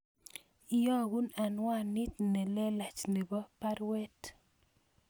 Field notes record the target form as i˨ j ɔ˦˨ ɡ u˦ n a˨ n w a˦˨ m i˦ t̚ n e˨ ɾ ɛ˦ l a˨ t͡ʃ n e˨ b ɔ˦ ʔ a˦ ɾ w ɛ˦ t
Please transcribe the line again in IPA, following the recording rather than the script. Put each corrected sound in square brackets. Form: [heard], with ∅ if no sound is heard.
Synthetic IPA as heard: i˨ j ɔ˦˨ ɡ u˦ n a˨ n w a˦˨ [n] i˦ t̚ n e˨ [l] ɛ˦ l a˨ t͡ʃ n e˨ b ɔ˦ [p] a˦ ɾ w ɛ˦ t